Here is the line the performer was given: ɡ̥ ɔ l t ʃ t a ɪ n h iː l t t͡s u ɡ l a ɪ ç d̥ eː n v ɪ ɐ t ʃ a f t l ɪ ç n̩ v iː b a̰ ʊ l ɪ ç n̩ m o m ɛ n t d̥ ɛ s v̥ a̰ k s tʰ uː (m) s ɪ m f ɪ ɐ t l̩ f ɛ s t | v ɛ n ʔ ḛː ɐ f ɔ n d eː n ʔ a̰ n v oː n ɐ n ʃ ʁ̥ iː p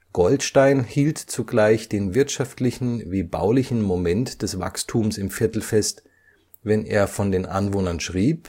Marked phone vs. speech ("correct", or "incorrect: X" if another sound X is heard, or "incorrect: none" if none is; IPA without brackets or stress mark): correct